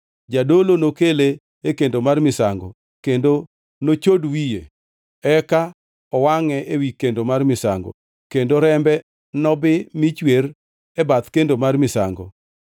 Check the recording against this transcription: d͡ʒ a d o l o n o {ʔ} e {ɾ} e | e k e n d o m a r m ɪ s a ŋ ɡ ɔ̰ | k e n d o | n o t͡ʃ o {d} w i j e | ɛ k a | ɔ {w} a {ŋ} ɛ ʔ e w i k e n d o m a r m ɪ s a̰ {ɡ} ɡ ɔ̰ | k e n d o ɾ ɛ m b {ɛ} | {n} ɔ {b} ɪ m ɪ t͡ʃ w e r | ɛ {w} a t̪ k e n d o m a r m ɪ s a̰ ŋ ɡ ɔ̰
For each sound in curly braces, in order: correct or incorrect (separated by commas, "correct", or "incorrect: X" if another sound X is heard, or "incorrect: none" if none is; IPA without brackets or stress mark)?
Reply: incorrect: k, incorrect: l, correct, correct, correct, incorrect: ŋ, correct, correct, correct, incorrect: b